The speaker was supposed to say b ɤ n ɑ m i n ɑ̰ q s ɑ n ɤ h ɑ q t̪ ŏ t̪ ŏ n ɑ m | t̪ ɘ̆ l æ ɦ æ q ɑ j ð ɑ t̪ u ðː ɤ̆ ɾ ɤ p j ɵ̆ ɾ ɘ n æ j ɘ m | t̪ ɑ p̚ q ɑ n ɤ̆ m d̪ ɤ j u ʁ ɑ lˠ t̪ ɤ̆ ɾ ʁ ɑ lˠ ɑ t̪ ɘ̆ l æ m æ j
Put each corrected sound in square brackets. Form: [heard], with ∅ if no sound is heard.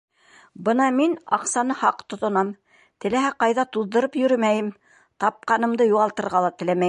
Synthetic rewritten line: b ɤ n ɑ m i n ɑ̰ q s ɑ n ɤ h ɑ q t̪ ŏ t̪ ŏ n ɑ m | t̪ ɘ̆ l æ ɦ æ q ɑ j ð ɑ t̪ u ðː ɤ̆ ɾ ɤ p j ɵ̆ ɾ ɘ [m] æ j ɘ m | t̪ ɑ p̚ q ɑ n ɤ̆ m d̪ ɤ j u ʁ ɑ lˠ t̪ ɤ̆ ɾ ʁ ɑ lˠ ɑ t̪ ɘ̆ l æ m æ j